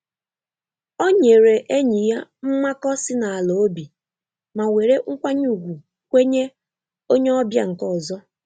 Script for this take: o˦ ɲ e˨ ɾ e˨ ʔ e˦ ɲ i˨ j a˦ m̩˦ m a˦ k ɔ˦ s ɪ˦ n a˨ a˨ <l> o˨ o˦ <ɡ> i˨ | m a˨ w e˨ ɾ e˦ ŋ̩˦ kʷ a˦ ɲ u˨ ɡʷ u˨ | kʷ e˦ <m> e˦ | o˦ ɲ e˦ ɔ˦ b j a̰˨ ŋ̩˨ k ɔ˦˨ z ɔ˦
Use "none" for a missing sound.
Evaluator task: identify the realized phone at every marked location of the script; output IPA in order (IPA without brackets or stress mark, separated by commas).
l, b, ɲ